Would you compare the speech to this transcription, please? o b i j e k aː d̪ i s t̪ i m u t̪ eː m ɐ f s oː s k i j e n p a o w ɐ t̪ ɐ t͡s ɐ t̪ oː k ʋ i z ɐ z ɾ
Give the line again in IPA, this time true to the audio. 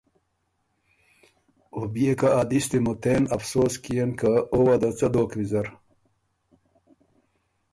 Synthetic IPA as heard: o b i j e k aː d̪ i s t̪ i m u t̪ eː n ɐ f s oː s k i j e n k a o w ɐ d̪ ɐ t͡s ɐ d̪ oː k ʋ i z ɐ ɾ